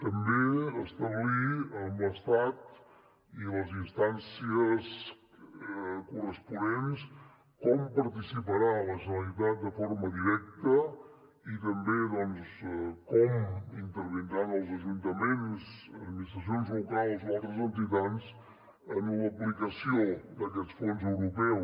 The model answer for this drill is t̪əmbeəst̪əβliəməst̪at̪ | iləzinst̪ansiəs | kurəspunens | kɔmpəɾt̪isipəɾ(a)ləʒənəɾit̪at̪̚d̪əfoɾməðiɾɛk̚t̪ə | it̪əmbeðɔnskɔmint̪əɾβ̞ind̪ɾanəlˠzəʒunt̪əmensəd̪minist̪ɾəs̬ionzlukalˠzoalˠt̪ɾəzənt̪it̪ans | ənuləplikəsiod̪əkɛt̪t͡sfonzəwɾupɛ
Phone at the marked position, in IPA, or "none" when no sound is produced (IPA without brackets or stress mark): a